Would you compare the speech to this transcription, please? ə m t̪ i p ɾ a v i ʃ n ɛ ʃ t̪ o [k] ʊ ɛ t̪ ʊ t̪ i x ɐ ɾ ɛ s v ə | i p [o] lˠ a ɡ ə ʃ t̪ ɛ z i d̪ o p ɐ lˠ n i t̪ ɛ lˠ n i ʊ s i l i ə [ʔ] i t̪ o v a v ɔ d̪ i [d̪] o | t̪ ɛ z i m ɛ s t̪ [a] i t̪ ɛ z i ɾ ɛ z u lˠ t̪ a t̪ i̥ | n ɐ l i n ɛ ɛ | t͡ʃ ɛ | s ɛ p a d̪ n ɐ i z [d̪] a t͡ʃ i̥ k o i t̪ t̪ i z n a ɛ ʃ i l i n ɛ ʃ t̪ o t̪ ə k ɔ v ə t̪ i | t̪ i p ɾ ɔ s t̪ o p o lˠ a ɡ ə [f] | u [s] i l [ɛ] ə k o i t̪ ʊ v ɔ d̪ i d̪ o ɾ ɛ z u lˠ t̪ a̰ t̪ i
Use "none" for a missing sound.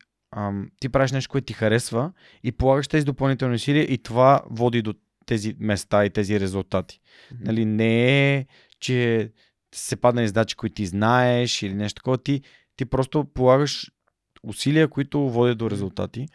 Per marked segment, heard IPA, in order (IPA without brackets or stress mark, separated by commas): k, o, ʔ, d̪, a, d̪, ʃ, s, i